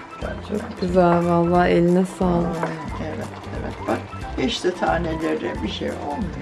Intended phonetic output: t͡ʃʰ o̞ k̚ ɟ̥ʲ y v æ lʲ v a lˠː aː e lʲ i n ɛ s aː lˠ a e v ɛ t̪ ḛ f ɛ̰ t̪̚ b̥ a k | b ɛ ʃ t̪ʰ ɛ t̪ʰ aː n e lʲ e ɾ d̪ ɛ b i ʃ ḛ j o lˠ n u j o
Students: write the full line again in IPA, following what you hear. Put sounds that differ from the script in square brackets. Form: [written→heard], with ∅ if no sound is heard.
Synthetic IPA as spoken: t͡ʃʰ o̞ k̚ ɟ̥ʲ y [v→z] æ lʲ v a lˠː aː e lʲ i n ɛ s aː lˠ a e v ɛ t̪ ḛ [f→v] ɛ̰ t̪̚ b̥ a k | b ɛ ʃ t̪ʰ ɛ t̪ʰ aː n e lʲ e ɾ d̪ ɛ b i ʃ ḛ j o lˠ [n→m] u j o